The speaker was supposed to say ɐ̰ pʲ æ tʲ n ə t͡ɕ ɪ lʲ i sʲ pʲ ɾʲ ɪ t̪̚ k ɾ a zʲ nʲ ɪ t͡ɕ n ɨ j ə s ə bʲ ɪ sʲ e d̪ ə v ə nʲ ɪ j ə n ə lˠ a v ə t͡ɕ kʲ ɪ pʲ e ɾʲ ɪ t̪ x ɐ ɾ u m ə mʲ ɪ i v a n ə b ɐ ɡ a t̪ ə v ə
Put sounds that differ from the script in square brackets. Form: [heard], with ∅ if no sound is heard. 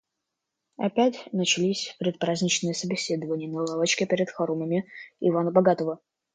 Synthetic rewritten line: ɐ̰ pʲ æ tʲ n ə t͡ɕ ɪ lʲ i sʲ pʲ ɾʲ ɪ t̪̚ [p] ɾ a zʲ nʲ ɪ t͡ɕ n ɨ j ə s ə bʲ ɪ sʲ e d̪ ə v ə nʲ ɪ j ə n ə lˠ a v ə t͡ɕ kʲ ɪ pʲ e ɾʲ ɪ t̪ x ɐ ɾ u m ə mʲ ɪ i v a n ə b ɐ ɡ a t̪ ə v ə